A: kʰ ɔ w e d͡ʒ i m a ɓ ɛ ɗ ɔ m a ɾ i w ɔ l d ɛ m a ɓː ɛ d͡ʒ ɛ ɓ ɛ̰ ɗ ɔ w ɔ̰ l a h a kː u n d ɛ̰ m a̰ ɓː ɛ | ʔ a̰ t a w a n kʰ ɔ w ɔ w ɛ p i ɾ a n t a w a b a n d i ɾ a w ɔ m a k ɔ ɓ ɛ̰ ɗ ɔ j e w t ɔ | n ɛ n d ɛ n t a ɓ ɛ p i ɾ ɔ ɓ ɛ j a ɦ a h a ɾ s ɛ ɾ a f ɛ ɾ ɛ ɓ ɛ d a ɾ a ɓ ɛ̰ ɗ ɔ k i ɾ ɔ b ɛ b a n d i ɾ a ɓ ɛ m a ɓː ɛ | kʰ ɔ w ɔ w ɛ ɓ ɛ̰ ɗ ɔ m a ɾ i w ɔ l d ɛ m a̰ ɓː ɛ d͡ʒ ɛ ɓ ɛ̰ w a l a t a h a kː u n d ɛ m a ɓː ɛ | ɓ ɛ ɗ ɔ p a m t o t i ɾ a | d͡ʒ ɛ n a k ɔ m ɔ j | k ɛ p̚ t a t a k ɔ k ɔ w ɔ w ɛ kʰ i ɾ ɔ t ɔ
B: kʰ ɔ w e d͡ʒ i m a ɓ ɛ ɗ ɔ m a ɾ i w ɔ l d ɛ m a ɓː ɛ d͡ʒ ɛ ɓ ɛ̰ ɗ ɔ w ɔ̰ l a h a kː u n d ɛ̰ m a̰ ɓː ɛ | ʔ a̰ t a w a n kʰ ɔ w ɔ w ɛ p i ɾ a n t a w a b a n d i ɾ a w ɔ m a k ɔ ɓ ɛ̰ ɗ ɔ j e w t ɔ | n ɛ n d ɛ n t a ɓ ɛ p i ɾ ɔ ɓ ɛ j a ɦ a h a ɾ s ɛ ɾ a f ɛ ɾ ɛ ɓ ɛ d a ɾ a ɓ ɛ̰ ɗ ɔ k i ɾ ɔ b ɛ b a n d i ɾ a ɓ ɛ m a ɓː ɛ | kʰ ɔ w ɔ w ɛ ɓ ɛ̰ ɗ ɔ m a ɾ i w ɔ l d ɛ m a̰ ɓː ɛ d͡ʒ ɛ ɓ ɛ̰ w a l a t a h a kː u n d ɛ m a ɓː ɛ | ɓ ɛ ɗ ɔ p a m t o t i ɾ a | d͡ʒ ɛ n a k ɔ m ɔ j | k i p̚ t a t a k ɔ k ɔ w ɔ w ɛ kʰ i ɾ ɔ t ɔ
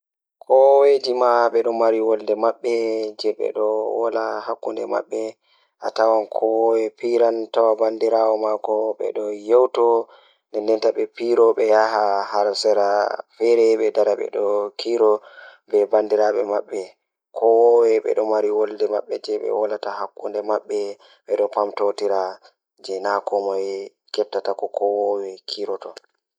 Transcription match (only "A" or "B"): A